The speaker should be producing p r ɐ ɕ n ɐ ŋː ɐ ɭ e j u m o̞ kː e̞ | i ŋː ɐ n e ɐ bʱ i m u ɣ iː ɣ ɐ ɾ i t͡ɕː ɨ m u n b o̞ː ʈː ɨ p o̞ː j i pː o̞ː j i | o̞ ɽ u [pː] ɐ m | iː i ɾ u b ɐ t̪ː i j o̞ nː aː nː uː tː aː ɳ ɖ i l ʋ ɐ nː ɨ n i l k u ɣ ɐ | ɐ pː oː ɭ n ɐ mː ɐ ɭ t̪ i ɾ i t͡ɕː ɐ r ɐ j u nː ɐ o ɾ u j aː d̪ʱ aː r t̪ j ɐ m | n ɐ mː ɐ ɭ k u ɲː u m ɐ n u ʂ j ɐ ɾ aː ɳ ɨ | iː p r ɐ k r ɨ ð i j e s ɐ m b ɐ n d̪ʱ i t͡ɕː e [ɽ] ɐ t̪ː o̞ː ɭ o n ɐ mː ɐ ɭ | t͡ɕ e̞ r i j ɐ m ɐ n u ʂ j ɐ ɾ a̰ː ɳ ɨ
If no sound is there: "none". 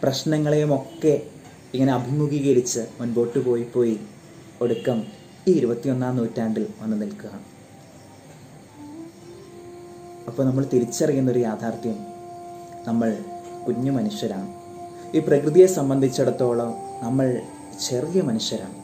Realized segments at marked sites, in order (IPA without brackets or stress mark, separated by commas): kː, ɽ